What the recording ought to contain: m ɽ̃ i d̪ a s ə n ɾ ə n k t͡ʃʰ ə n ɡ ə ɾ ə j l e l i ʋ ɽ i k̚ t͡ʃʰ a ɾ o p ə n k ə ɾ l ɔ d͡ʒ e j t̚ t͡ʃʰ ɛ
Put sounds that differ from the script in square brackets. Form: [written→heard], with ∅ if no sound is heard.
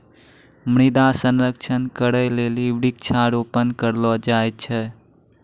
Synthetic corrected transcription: m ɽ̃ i d̪ a s ə n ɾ ə [n→∅] k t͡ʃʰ ə n [ɡ→k] ə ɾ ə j l e l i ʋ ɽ i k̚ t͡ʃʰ a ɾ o p ə n k ə ɾ l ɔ d͡ʒ [e→a] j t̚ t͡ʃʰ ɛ